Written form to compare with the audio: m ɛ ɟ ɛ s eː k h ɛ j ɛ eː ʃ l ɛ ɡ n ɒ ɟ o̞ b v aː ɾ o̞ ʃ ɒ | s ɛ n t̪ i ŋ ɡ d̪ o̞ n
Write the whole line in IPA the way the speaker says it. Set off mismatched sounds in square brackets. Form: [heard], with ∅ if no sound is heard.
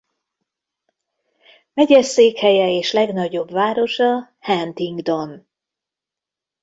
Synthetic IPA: m ɛ ɟ ɛ s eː k h ɛ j ɛ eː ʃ l ɛ ɡ n ɒ ɟ o̞ b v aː ɾ o̞ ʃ ɒ | [h] ɛ n t̪ i ŋ ɡ d̪ o̞ n